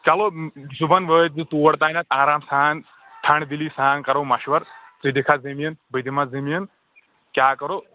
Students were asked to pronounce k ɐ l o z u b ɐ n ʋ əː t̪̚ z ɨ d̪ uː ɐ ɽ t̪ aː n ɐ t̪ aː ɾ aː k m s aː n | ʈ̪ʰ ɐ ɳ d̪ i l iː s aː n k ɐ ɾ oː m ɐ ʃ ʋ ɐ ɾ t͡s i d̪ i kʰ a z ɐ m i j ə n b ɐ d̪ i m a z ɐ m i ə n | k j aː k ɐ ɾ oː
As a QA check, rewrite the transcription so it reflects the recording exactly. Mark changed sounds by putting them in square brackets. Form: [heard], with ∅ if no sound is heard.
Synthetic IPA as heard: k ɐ l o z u b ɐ n ʋ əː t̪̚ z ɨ [t̪] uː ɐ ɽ t̪ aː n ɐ t̪ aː ɾ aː [∅] m s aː n | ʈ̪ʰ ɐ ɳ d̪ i l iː s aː n k ɐ ɾ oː m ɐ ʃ ʋ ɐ ɾ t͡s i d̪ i kʰ a z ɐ m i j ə n b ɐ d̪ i m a z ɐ m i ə n | k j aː k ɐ ɾ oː